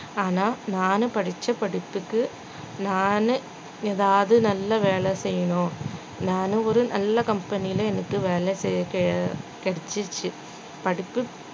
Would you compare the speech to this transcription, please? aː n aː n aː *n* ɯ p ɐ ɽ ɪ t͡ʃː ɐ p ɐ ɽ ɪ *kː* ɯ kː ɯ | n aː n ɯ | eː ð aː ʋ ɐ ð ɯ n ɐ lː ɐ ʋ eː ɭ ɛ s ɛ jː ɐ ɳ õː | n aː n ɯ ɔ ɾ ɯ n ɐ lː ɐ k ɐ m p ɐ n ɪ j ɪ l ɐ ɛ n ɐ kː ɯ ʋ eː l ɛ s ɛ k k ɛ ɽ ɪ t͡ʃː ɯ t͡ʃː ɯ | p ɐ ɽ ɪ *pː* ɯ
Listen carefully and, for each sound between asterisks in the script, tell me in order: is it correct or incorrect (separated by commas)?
correct, incorrect, correct